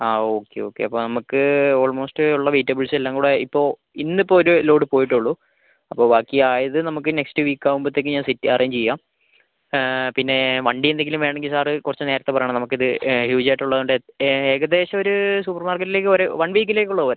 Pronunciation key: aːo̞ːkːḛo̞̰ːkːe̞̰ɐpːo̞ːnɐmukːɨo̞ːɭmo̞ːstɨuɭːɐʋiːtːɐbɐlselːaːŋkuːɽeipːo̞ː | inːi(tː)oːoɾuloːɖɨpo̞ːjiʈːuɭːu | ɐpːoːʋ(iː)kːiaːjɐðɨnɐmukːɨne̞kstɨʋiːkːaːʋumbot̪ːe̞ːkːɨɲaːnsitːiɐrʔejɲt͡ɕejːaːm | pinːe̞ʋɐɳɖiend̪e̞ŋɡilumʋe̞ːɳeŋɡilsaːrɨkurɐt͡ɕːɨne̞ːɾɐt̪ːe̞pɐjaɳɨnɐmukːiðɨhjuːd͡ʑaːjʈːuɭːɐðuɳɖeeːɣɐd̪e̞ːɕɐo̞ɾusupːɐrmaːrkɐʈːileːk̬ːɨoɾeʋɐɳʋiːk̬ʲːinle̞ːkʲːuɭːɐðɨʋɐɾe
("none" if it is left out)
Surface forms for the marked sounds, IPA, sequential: pː, aː

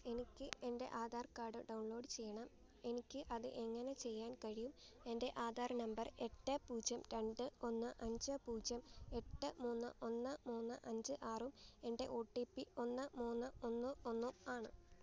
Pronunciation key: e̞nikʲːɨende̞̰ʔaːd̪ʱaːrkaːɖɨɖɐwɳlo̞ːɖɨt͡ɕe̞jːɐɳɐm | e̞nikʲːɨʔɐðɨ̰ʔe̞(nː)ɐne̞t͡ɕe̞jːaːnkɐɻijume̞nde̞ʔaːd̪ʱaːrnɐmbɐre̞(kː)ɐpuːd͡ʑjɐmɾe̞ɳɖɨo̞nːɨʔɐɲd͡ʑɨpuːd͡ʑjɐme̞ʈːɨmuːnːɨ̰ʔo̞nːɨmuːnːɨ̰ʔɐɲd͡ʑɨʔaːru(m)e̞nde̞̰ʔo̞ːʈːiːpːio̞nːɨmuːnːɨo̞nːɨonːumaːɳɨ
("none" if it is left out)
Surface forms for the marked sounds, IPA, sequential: ŋː, ʈː, m

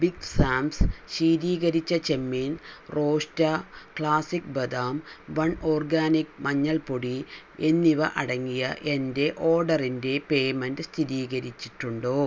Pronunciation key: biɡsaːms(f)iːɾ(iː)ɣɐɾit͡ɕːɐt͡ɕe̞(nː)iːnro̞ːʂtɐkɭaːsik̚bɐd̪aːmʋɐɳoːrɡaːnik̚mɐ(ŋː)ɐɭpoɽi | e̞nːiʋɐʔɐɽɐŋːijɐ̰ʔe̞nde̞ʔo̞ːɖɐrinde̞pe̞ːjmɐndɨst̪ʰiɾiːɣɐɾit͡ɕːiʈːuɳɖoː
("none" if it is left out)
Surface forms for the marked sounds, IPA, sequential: ɕ, iː, mː, ɲː

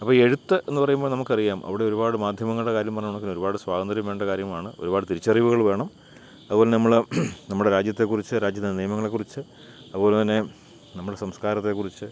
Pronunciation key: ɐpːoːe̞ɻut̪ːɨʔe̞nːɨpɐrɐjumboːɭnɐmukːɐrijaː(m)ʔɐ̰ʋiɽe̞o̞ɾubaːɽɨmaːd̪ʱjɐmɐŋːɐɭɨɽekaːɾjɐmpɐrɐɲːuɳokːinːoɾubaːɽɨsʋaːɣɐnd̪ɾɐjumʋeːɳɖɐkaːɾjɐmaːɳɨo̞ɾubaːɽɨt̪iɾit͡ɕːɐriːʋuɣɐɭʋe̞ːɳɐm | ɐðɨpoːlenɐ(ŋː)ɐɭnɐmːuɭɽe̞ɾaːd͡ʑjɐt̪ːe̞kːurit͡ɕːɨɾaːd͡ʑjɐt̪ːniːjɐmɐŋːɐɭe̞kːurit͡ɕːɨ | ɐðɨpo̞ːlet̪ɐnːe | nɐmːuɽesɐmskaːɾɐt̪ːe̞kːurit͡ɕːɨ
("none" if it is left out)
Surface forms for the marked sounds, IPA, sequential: m, mː

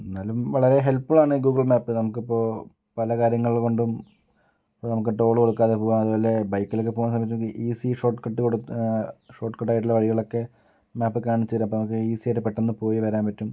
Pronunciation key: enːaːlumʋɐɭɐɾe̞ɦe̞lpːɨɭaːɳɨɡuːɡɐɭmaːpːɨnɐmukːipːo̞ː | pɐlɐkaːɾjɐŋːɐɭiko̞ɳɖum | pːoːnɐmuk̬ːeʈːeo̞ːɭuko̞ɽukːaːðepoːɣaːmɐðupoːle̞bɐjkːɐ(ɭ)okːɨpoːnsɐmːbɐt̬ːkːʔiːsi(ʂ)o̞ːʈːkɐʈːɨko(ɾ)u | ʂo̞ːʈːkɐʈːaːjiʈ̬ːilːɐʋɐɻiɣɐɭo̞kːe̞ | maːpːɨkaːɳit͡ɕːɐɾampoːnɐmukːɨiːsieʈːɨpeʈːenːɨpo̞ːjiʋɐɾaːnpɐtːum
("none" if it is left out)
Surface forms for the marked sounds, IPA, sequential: l, ʂ, ɽ

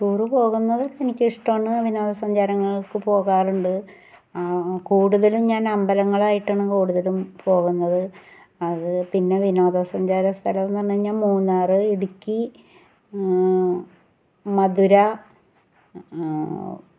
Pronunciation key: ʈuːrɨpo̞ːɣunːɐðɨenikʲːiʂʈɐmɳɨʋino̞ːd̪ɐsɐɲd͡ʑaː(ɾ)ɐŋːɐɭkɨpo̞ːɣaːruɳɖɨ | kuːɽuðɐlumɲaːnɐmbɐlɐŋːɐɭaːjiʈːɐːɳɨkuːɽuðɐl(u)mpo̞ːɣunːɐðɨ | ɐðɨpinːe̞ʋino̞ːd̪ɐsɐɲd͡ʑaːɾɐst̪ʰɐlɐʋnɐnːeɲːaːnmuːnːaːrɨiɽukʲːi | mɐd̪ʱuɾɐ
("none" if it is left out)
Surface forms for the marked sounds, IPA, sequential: ɾ, u

